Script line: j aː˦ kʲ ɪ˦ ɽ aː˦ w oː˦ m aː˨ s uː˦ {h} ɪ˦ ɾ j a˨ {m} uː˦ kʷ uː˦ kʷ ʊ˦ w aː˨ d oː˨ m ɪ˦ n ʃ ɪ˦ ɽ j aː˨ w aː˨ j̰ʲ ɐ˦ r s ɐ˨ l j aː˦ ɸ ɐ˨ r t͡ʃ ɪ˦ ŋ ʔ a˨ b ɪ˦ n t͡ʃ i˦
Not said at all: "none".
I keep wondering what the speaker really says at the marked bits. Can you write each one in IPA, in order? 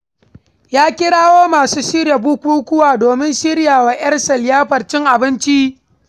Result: ʃ, b

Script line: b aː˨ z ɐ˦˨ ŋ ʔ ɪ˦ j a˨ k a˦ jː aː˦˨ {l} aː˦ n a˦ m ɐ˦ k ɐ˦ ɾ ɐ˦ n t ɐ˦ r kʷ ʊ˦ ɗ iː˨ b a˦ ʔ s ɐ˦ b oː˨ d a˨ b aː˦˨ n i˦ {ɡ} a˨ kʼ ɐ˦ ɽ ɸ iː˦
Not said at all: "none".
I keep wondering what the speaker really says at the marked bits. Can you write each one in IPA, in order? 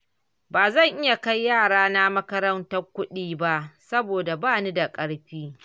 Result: ɽ, d

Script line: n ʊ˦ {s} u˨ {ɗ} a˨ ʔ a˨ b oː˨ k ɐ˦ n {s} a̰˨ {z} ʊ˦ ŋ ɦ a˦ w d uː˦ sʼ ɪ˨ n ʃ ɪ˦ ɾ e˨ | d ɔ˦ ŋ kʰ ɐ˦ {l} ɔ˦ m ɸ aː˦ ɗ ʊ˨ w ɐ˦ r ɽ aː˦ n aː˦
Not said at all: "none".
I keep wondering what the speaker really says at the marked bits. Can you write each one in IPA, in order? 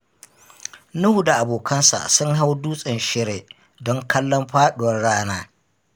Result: h, d, s, s, lː

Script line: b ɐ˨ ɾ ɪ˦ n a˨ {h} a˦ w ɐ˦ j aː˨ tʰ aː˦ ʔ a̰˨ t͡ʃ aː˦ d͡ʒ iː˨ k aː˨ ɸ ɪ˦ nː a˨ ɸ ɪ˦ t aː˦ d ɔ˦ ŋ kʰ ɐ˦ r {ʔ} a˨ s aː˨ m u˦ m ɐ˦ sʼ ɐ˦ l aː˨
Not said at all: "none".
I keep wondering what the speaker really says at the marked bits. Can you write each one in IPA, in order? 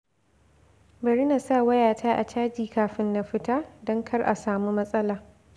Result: s, ʔ

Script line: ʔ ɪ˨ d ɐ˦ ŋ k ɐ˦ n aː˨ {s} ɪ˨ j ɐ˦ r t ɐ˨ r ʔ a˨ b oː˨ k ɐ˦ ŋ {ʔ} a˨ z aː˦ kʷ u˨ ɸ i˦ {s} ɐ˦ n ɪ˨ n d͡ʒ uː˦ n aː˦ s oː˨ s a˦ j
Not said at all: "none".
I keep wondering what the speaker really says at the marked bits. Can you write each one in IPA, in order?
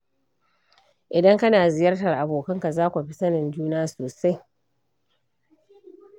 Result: z, k, s

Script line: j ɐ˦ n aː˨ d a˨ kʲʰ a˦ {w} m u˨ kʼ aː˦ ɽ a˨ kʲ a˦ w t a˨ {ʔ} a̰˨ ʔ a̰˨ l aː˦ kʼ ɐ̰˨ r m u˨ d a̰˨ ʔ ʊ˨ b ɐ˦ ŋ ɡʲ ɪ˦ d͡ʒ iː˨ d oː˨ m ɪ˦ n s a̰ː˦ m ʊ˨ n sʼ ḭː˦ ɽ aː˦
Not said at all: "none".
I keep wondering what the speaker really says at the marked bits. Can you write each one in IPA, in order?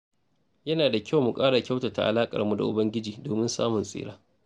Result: w, t

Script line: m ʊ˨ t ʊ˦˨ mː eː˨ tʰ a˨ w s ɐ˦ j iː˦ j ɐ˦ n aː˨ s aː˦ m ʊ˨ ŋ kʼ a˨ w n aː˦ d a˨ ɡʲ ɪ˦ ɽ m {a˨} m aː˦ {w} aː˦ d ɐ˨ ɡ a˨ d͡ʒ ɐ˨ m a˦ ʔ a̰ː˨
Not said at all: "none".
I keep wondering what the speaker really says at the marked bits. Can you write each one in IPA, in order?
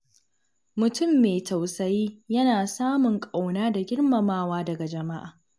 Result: ɐ˨, w

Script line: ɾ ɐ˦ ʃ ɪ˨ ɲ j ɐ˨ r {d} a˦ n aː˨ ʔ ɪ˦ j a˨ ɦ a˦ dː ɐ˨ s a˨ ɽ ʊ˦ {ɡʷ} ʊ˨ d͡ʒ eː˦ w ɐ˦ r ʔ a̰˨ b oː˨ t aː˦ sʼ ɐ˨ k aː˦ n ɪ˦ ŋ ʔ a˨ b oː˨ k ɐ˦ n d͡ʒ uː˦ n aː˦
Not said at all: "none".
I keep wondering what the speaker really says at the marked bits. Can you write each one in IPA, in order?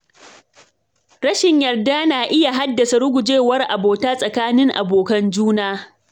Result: d, ɡʷ

